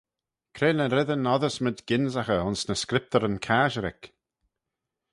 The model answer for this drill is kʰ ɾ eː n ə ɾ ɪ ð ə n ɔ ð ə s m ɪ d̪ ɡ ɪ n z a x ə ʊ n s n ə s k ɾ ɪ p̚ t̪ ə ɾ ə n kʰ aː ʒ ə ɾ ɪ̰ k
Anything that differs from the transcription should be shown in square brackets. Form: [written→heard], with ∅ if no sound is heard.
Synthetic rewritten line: kʰ ɾ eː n ə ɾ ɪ ð ə n ɔ ð ə s m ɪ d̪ ɡ ɪ n z a x ə ʊ n s n ə s k ɾ ɪ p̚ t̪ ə ɾ ə n kʰ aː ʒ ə ɾ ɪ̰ k